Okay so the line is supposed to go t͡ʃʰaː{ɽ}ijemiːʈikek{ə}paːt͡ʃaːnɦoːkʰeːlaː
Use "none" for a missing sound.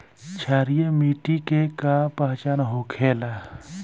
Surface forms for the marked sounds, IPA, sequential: ɾ, a

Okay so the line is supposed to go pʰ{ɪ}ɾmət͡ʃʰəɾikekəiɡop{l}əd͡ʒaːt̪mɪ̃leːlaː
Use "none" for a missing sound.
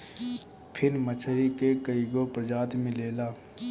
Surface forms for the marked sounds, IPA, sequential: ɪ, ɾ

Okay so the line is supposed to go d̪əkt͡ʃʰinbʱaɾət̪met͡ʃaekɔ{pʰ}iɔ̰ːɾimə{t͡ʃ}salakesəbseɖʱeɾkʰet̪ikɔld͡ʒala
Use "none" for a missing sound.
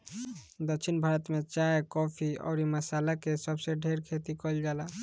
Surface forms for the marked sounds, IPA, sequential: pʰ, none

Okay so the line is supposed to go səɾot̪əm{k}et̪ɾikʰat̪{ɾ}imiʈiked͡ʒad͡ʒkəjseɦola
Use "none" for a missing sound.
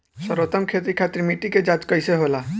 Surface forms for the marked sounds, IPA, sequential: kʰ, ɾ

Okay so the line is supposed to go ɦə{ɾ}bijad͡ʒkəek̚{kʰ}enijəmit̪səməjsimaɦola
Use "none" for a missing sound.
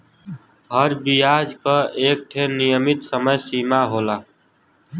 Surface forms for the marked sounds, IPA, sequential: ɾ, ʈʰ

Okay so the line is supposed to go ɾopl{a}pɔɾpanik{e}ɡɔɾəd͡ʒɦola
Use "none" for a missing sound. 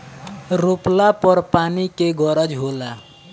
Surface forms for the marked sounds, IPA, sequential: a, e

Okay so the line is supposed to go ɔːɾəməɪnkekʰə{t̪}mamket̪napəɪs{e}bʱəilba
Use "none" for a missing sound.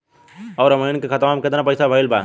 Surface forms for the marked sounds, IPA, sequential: t̪, a

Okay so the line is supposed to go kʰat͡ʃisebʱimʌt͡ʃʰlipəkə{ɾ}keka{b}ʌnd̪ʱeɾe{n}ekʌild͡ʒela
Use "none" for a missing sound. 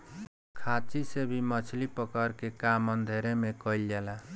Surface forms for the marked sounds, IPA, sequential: ɾ, m, m

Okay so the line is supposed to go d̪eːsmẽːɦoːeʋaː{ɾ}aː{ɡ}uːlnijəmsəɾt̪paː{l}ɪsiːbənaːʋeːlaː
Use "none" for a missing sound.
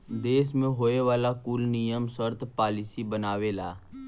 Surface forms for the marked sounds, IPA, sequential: l, k, l

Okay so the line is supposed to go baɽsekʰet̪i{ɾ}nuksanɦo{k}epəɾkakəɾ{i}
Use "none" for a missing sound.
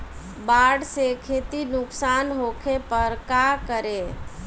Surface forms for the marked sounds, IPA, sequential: none, kʰ, e

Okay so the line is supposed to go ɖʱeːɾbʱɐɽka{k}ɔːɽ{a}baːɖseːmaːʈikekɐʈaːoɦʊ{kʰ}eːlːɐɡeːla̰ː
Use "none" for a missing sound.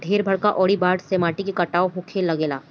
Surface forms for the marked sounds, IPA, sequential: ʔ, i, kʰ

